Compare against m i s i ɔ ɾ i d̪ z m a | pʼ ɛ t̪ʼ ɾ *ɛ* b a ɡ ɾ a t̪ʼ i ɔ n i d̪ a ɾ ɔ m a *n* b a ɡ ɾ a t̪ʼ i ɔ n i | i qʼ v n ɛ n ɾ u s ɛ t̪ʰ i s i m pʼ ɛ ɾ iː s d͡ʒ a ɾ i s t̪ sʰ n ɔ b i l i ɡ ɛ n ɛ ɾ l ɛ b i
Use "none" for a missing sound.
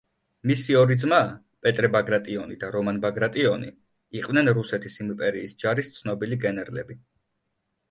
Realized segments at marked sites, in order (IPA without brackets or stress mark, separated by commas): ɛ, n